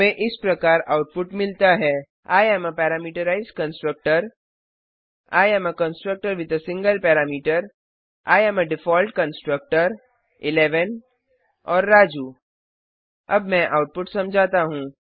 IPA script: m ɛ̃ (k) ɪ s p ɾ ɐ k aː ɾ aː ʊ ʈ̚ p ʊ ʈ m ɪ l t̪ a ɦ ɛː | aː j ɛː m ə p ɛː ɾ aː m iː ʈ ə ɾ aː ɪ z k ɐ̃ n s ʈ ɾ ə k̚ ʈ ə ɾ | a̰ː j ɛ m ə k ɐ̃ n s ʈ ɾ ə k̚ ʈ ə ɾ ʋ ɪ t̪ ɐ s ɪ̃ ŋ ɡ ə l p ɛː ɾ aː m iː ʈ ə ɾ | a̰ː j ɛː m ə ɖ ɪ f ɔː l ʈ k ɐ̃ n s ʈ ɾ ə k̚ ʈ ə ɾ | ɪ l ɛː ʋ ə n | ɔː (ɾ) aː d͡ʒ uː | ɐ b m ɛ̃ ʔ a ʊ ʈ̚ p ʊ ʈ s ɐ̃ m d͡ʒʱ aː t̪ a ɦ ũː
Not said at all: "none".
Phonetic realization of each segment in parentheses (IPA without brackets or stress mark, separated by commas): ʔ, ɾː